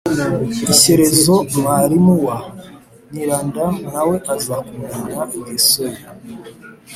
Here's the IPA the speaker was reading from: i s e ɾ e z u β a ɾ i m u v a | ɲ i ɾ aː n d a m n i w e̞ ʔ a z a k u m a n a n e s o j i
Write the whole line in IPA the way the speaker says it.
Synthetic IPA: i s e ɾ e z o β a ɾ i m u w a | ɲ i ɾ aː n d a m n a w e̞ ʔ a z a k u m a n a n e s o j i